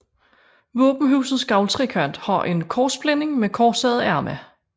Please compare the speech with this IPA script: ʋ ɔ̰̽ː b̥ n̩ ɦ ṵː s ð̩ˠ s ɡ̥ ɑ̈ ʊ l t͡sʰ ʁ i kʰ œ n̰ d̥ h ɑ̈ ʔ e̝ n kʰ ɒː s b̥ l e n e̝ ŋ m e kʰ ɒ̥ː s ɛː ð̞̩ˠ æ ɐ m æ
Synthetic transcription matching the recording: ʋ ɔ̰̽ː b̥ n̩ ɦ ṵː s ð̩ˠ s ɡ̥ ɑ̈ ʊ l t͡sʰ ʁ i kʰ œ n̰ d̥ h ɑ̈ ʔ e̝ n kʰ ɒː s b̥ l e n e̝ ŋ m e kʰ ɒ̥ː s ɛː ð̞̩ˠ æ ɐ m æ